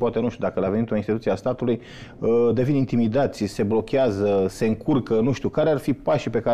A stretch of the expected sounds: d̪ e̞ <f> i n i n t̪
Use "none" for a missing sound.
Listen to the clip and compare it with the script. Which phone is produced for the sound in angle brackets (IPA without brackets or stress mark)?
v